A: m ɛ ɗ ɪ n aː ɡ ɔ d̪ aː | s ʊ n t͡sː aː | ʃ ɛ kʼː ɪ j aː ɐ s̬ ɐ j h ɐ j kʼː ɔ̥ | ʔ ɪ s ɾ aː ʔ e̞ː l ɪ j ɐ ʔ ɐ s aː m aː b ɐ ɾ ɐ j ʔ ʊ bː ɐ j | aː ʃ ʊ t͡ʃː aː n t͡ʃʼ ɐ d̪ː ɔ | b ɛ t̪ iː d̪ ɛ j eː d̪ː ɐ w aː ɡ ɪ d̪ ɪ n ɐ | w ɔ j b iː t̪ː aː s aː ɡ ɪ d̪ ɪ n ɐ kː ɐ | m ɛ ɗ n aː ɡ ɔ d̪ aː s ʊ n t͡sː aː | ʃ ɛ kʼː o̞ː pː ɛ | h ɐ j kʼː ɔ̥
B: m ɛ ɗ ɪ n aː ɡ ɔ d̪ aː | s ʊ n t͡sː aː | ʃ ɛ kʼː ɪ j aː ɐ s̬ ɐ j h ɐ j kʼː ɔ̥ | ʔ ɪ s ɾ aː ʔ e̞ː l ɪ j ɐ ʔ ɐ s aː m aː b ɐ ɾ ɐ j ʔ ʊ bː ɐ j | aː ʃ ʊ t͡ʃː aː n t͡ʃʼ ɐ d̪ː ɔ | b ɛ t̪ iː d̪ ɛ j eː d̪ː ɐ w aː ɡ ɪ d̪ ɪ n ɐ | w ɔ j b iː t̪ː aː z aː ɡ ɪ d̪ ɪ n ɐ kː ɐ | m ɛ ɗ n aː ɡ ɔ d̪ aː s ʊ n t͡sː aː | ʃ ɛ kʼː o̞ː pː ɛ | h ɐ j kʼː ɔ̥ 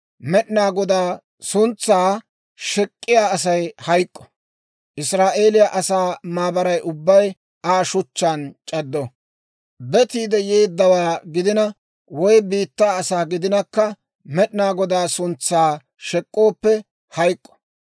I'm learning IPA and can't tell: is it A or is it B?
A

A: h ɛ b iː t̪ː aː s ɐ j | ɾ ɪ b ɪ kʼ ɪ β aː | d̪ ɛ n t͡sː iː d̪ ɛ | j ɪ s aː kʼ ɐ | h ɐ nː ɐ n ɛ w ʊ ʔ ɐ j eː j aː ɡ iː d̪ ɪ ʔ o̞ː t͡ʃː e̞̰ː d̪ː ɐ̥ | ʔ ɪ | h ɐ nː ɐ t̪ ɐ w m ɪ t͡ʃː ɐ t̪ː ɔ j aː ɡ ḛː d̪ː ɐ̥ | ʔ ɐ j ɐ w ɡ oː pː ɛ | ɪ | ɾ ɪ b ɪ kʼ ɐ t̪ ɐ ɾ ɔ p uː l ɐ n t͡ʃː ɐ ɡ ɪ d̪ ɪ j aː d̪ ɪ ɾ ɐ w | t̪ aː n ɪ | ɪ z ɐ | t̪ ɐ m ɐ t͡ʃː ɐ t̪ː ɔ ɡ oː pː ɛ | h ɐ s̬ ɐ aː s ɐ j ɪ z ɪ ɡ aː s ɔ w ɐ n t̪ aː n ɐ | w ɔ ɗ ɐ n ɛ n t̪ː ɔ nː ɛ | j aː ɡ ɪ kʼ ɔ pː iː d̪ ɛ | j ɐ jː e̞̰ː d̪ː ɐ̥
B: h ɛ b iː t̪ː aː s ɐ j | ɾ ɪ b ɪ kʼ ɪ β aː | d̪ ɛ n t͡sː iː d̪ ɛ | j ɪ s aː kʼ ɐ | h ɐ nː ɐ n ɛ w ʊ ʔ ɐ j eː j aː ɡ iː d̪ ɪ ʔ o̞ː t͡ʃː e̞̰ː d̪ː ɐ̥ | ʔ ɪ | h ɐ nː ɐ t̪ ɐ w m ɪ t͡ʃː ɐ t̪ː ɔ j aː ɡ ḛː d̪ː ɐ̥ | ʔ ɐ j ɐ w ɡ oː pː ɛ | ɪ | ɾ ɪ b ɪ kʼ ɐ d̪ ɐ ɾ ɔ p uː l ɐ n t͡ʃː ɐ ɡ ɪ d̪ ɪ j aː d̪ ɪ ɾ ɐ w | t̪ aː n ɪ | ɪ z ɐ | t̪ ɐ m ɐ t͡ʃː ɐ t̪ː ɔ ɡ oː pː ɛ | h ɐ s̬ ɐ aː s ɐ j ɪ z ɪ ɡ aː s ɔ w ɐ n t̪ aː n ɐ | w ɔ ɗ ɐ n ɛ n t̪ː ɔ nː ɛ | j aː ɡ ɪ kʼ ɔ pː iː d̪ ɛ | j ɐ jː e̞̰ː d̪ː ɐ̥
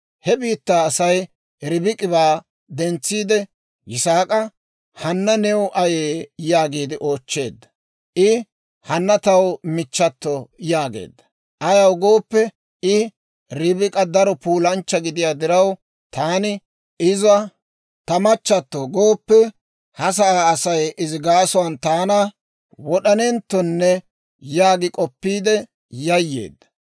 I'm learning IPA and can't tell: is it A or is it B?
B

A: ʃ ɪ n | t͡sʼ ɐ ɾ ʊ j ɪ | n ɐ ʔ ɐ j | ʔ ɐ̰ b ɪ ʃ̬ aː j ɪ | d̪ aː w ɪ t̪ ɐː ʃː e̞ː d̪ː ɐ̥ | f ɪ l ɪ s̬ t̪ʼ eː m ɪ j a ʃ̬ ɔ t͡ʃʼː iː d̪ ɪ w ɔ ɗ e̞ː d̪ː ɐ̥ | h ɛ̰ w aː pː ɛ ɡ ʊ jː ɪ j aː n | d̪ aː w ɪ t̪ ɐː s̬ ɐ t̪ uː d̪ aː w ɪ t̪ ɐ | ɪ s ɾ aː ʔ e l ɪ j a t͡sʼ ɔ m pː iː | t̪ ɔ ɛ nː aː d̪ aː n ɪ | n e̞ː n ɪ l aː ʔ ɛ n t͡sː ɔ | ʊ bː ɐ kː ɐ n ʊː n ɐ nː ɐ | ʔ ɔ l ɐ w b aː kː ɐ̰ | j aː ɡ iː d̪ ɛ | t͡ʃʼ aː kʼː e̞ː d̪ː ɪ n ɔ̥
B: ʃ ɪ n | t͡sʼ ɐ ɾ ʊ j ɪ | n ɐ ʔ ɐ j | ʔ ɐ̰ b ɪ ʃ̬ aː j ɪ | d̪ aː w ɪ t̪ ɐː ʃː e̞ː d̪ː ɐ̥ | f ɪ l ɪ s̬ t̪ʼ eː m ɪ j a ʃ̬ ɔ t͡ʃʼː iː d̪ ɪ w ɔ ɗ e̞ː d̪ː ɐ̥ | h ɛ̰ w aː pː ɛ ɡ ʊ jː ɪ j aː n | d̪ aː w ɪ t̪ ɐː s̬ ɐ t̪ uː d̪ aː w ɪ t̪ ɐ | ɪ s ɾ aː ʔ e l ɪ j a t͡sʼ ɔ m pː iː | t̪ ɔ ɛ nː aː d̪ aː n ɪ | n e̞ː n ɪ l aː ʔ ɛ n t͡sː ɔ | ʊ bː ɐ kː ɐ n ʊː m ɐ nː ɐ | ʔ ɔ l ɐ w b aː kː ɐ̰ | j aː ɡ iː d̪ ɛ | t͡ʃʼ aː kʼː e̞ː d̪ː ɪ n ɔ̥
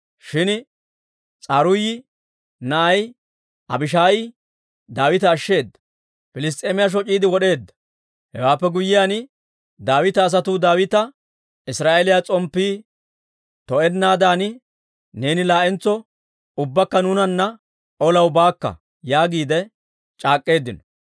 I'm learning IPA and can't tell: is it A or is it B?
A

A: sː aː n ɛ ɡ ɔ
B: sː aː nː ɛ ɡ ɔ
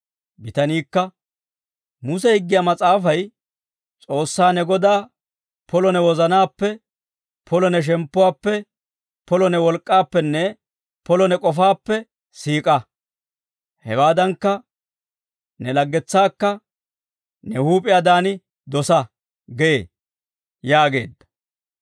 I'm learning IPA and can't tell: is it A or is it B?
A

